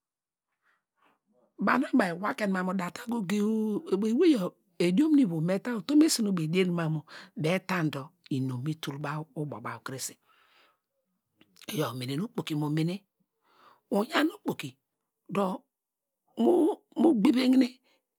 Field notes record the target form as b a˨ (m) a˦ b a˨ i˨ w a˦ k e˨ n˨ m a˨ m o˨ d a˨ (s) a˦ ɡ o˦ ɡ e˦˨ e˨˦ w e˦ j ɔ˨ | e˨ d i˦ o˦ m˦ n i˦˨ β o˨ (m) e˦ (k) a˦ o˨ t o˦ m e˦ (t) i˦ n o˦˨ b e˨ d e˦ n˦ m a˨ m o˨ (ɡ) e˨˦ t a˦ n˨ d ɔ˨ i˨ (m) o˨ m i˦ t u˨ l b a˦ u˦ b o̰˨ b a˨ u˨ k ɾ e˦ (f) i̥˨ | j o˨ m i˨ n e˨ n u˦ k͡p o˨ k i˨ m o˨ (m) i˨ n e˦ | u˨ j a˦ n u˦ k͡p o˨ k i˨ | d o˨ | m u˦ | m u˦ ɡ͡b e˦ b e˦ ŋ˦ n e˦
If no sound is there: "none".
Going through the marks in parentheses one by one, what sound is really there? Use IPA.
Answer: n, t, m, t, s, b, n, s, m

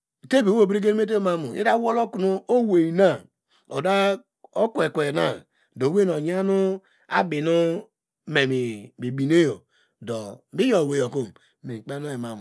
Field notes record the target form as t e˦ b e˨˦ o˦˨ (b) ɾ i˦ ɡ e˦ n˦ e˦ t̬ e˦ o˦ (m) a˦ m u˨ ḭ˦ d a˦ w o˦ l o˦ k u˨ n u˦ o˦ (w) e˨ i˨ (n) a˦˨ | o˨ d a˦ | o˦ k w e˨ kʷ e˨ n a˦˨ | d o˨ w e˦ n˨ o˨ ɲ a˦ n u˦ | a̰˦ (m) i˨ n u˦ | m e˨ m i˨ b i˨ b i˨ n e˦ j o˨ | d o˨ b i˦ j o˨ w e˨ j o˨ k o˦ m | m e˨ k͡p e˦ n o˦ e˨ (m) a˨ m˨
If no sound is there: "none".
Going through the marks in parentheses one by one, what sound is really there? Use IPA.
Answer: b, m, w, n, b, m

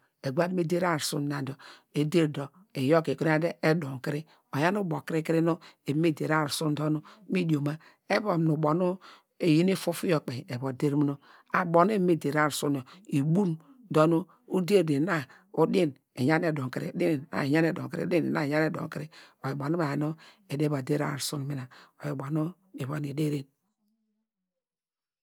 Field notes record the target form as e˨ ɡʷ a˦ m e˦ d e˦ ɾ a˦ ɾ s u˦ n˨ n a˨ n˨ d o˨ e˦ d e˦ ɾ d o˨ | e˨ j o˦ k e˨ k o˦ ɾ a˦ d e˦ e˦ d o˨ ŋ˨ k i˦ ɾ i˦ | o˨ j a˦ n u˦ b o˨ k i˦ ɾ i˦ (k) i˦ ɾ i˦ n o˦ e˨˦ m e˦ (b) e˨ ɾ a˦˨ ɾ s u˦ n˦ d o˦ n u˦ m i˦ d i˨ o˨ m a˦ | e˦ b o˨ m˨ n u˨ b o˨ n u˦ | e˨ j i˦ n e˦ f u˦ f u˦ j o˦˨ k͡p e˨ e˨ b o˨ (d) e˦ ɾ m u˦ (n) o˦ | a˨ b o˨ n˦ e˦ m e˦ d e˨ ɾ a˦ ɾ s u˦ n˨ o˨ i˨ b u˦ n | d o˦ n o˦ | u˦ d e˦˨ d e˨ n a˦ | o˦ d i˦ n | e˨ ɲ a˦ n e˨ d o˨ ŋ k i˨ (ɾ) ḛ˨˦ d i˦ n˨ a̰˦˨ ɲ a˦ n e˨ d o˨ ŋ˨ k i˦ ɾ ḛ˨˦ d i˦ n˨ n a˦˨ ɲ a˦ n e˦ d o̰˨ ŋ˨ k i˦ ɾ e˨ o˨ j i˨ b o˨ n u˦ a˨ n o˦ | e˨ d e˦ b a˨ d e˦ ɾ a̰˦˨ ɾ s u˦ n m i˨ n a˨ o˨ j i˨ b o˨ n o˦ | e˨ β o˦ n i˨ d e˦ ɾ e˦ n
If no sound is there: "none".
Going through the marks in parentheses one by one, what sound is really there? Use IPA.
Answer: k, d, d, n, ɾ

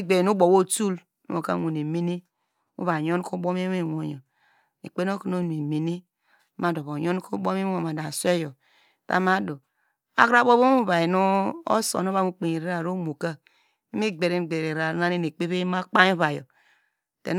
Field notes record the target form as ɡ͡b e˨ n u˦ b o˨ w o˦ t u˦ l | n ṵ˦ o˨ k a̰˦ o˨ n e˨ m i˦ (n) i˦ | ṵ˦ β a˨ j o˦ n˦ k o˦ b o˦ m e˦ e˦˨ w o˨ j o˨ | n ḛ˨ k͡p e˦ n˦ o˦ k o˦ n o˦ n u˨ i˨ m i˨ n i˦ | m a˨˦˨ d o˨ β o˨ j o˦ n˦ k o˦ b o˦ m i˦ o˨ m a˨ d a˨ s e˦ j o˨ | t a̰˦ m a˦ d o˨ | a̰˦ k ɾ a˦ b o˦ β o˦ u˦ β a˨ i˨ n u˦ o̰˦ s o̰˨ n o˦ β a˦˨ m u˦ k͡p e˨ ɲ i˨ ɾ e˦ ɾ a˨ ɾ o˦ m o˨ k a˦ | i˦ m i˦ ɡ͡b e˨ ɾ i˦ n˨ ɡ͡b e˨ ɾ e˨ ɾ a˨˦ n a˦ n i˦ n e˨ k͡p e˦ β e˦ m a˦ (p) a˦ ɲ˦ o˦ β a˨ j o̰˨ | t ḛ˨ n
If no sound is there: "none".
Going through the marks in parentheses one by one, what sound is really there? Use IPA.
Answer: n, k͡p

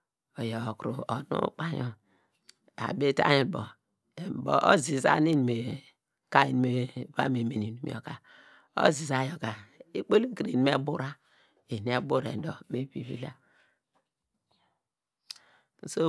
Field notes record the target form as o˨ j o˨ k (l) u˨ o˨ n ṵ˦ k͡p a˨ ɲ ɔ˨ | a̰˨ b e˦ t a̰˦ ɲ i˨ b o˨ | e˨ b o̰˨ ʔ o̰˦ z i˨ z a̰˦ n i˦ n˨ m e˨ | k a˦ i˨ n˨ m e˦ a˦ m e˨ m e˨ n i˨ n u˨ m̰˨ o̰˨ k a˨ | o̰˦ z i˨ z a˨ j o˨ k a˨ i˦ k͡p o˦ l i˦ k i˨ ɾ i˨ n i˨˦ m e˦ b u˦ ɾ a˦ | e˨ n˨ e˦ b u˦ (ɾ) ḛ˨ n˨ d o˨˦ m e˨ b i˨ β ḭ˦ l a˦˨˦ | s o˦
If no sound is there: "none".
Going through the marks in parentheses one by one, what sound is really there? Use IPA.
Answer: ɾ, ɾ

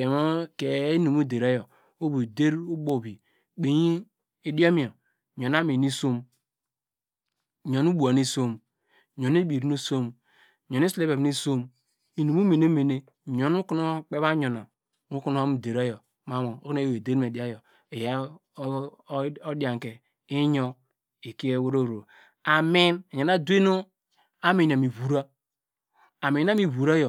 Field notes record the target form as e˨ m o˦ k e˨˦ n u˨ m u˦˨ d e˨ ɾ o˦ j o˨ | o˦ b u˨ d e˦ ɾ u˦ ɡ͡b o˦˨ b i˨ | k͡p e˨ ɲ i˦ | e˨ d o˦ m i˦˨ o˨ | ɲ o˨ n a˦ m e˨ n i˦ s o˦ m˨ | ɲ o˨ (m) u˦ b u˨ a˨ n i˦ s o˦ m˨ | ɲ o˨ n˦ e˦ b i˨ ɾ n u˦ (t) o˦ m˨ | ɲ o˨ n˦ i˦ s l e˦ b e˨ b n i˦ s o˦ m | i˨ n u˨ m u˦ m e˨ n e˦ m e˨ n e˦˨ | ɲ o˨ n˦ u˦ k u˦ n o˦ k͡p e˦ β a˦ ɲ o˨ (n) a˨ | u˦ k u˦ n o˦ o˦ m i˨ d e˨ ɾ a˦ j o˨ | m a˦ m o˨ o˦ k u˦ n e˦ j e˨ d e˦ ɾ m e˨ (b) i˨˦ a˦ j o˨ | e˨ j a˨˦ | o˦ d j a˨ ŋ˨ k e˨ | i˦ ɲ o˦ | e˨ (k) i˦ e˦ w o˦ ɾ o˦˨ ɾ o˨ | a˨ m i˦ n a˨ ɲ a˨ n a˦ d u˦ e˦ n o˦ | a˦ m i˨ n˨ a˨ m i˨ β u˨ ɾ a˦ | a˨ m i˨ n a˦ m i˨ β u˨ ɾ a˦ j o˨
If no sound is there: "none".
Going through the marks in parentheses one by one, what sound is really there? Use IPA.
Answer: n, s, n, d, k

